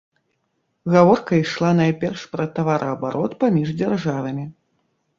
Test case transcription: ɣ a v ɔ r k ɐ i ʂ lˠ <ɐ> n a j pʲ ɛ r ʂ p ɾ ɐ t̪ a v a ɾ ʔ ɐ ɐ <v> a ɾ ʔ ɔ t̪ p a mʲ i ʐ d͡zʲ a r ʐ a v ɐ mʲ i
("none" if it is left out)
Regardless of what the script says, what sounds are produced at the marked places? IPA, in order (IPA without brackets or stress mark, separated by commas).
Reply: a, b